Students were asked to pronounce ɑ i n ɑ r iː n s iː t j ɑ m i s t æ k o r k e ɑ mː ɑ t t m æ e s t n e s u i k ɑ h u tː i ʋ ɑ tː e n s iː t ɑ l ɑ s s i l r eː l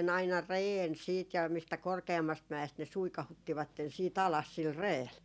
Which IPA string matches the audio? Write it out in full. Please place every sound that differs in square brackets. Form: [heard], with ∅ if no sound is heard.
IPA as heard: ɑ i n ɑ r [eː] n s iː t j ɑ m i s t æ k o r k e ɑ mː ɑ [s] t m æ e s t n e s u i k ɑ h u tː i ʋ ɑ tː e n s iː t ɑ l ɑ s s i l r eː l